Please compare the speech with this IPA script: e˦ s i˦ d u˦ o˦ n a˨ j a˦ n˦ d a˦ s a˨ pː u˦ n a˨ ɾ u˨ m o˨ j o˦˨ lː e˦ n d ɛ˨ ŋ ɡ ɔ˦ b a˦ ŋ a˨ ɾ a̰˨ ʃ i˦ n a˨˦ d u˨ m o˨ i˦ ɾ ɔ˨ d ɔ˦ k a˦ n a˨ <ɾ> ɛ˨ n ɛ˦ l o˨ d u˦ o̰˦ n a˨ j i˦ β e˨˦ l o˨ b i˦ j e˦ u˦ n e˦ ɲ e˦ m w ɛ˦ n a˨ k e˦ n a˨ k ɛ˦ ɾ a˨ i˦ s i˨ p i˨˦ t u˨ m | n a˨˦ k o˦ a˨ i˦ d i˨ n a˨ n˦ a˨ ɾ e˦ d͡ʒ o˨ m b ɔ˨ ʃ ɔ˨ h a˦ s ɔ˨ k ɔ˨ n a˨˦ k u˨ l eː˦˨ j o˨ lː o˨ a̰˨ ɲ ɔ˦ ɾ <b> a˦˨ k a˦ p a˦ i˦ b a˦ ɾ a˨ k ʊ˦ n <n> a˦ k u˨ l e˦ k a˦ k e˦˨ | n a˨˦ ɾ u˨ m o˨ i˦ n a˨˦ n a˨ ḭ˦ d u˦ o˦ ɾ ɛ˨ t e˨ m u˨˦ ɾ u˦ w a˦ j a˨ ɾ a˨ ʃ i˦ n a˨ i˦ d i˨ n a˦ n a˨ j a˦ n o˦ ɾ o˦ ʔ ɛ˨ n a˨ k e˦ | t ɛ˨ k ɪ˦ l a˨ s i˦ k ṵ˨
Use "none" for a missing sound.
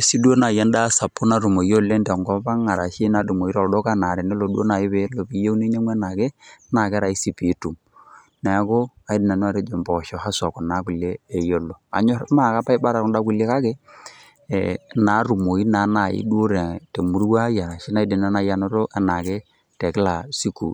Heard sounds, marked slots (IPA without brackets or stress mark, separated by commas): ɾ, m, d